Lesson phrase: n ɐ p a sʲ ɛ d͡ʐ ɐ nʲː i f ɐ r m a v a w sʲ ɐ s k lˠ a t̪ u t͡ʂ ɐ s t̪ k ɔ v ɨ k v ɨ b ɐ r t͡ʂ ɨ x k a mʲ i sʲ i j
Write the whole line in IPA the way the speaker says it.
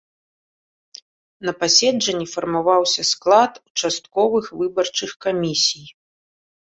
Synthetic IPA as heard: n ɐ p a sʲ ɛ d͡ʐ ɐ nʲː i f ɐ r m a v a w sʲ ɐ s k lˠ a t̪ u t͡ʂ a s t̪ k ɔ v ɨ x v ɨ b ɐ r t͡ʂ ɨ x k a mʲ i sʲ i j